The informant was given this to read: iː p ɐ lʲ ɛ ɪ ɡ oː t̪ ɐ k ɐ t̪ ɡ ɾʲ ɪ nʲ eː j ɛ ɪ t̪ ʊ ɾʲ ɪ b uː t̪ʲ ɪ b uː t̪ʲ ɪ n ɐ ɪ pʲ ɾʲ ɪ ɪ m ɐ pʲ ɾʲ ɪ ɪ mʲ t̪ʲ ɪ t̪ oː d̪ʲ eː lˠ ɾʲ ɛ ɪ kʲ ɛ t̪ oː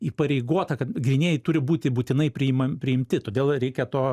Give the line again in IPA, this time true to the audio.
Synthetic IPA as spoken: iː p ɐ ɾʲ ɛ ɪ ɡ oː t̪ ɐ k ɐ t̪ ɡ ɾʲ ɪ nʲ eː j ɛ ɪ t̪ ʊ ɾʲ ɪ b uː t̪ʲ ɪ b uː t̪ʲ ɪ n ɐ ɪ pʲ ɾʲ ɪ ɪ m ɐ pʲ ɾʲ ɪ ɪ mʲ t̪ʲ ɪ t̪ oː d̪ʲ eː lˠ ɾʲ ɛ ɪ kʲ ɛ t̪ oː